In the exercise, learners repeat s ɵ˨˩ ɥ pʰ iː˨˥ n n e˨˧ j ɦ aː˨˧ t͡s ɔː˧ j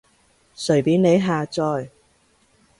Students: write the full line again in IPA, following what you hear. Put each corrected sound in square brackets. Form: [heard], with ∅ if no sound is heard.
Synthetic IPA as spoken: s ɵ˨˩ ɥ [p] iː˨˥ n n e˨˧ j ɦ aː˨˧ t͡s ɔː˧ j